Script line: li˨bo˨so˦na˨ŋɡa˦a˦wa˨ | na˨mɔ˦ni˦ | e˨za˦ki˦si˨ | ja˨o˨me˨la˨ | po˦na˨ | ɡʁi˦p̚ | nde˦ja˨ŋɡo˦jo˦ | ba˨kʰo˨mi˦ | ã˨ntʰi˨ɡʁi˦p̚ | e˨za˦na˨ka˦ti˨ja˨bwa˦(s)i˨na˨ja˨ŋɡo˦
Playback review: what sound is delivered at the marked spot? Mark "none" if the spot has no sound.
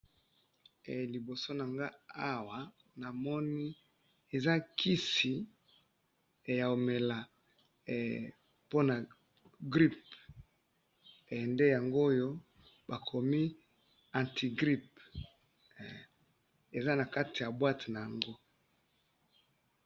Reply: t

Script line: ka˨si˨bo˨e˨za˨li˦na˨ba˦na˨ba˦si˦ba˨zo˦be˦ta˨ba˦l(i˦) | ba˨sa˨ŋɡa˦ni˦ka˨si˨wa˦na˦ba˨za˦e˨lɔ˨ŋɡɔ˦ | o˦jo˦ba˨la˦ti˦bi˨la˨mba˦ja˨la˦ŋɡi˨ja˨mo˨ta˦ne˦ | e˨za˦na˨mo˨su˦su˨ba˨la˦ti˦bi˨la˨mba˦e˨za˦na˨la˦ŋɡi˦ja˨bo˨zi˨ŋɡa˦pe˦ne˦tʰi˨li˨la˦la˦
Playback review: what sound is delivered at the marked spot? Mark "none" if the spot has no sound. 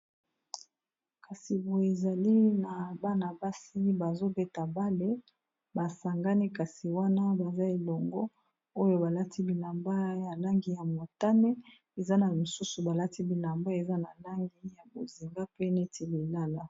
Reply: e˦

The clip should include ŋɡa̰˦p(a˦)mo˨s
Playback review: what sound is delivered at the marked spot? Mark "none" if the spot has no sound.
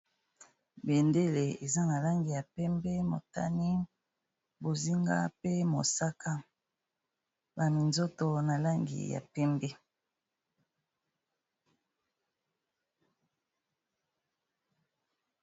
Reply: e˦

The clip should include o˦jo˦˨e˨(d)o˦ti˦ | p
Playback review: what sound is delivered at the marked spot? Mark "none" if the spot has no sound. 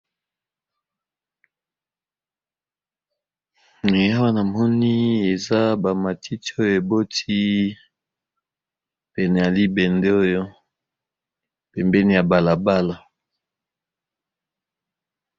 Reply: b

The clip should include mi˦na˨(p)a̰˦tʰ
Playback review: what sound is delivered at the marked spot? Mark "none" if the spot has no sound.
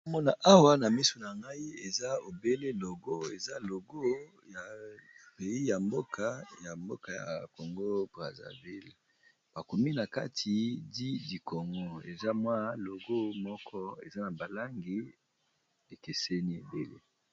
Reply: k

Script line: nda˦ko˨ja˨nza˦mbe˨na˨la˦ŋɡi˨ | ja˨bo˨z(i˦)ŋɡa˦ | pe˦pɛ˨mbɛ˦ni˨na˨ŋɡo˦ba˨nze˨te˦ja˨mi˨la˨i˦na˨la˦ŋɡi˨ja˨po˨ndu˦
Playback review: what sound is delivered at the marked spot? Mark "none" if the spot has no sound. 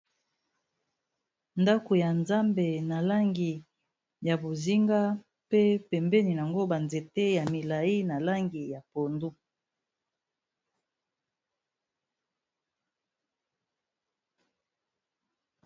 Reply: i˦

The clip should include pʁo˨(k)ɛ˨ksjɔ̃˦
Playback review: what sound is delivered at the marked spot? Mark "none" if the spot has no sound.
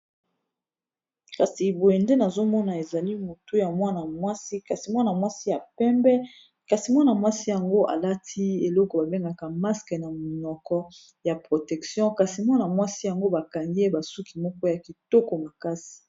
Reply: t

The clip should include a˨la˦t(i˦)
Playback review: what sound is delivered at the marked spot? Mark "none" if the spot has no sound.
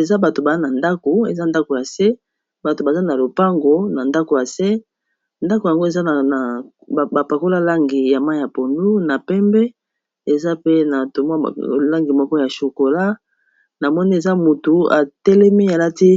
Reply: i˦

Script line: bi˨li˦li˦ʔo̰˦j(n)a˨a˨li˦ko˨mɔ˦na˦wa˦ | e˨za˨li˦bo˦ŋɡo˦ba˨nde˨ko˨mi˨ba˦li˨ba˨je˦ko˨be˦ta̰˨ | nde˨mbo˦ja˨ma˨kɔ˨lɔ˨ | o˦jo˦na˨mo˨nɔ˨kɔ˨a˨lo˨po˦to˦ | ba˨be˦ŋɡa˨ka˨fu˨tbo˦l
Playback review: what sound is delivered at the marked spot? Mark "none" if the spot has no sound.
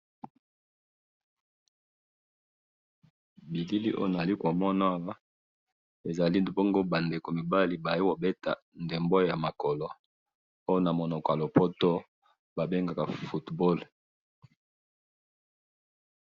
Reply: n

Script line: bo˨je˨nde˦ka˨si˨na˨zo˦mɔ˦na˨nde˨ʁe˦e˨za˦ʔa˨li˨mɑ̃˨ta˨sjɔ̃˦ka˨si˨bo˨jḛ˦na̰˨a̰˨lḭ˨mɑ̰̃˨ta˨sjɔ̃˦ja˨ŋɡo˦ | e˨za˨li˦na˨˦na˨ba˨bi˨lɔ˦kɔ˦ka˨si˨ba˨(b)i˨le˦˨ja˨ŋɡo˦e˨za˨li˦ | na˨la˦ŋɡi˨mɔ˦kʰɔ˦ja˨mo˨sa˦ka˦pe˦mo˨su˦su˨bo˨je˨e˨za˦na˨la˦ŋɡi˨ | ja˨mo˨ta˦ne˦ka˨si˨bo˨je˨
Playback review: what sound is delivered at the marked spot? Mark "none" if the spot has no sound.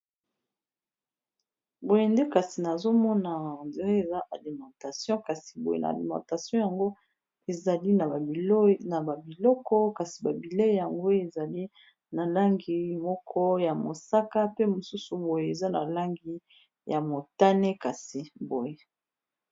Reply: b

